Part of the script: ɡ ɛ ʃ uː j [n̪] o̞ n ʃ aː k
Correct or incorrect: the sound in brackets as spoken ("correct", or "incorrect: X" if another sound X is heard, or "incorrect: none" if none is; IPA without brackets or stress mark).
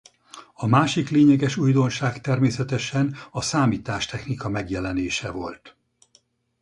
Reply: incorrect: d̪